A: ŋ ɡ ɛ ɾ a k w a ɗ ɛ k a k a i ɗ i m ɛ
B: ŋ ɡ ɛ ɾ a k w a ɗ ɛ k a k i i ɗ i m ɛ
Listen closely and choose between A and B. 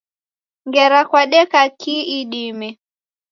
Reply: B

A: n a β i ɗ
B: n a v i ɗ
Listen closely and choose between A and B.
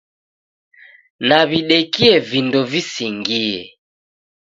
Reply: A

